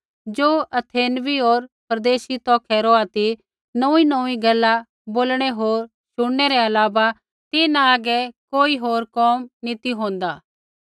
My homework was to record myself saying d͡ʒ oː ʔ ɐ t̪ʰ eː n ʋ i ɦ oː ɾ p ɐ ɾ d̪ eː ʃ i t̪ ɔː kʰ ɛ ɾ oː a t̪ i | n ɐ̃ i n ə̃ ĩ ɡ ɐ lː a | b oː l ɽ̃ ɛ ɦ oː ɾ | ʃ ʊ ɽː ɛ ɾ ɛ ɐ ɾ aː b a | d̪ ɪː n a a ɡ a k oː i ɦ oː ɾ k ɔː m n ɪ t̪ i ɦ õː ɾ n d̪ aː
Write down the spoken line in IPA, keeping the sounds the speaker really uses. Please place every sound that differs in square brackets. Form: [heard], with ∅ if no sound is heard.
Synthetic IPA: d͡ʒ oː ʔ ɐ t̪ʰ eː n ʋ i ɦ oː ɾ p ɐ ɾ d̪ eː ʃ i t̪ ɔː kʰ ɛ ɾ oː a t̪ i | n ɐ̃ i n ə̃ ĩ ɡ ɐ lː a | b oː l ɽ̃ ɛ ɦ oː ɾ | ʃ ʊ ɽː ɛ ɾ ɛ ɐ [l] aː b a | [t̪] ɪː n a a ɡ [ɛ] k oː i ɦ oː ɾ k ɔː m n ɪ t̪ i ɦ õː [∅] n d̪ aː

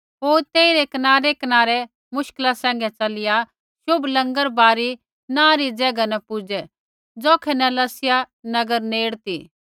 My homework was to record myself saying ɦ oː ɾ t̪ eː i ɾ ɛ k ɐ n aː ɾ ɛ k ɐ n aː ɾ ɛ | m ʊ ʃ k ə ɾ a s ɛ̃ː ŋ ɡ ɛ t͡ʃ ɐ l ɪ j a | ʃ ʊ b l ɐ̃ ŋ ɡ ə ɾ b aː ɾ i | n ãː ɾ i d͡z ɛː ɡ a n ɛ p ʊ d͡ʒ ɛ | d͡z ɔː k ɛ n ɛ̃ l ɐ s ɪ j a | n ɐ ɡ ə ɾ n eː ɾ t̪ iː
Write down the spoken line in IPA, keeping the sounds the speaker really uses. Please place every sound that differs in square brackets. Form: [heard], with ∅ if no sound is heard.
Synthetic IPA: ɦ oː ɾ t̪ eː i ɾ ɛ k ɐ n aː ɾ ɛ k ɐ n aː ɾ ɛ | m ʊ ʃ k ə [l] a s ɛ̃ː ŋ ɡ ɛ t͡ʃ ɐ l ɪ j a | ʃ ʊ b l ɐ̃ ŋ ɡ ə ɾ b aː ɾ i | n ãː ɾ i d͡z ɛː ɡ a n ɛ p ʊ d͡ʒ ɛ | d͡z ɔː [kʰ] ɛ n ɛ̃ l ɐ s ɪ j a | n ɐ ɡ ə ɾ n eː [ɽ] t̪ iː

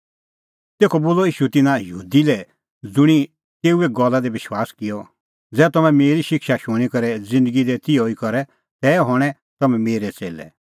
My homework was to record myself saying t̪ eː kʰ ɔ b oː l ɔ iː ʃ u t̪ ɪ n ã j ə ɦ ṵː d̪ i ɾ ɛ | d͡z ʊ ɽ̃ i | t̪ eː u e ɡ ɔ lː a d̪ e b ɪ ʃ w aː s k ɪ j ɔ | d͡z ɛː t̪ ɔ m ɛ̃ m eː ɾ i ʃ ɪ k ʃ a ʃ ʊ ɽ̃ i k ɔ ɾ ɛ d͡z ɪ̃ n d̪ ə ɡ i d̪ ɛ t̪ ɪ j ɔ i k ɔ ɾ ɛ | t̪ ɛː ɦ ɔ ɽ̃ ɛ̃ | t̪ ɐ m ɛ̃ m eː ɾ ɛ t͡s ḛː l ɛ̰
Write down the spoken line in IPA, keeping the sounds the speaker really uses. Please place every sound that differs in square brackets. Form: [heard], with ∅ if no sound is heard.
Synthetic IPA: t̪ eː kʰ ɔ b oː l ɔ iː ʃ u t̪ ɪ n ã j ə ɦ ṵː d̪ i [l] ɛ | d͡z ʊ ɽ̃ i | t̪ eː u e ɡ ɔ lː a d̪ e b ɪ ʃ w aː s k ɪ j ɔ | d͡z ɛː t̪ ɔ m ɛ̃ m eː ɾ i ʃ ɪ k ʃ a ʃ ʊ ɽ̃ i k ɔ ɾ ɛ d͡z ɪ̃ n d̪ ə ɡ i d̪ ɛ t̪ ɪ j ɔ i k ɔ ɾ ɛ | t̪ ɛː ɦ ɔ ɽ̃ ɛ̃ | t̪ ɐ m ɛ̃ m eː ɾ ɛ t͡s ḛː l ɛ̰

